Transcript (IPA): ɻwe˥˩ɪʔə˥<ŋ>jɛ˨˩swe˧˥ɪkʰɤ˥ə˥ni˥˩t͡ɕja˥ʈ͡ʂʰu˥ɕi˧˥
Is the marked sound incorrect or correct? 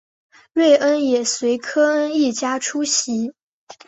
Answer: incorrect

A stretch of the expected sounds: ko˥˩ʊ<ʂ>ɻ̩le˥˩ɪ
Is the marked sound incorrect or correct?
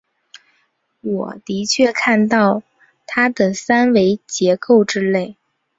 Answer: incorrect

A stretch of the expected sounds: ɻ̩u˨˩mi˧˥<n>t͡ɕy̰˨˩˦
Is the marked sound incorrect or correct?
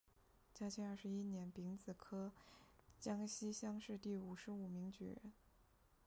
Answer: incorrect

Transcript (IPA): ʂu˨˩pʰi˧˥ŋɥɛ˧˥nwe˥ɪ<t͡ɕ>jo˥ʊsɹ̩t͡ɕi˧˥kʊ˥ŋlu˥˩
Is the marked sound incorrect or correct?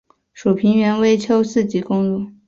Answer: incorrect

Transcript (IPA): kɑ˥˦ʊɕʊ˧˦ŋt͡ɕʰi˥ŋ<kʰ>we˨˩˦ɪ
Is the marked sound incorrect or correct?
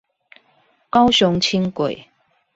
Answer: incorrect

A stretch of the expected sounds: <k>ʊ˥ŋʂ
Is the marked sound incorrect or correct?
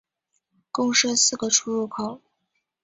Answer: correct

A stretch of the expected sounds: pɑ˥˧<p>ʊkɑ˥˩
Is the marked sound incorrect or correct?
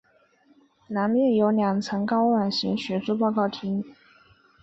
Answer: incorrect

